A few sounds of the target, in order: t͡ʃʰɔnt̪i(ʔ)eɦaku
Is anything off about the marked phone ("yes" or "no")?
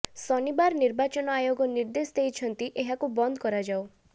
no